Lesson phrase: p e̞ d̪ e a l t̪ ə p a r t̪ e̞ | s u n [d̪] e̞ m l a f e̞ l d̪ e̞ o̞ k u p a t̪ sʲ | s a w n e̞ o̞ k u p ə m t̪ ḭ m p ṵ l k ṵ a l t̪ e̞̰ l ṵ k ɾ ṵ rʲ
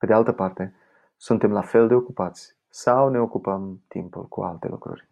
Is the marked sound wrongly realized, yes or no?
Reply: yes